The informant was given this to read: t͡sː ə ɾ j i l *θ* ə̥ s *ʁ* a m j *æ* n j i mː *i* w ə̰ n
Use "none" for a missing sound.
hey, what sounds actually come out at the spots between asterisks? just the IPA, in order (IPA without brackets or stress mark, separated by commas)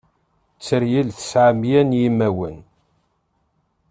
θ, ʕ, æ, æ